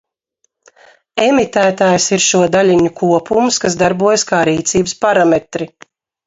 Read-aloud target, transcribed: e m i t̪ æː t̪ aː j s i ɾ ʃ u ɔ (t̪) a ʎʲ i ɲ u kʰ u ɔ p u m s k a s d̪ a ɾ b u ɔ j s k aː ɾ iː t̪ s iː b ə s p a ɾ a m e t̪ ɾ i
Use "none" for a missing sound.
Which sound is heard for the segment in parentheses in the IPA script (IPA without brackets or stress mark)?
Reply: d̪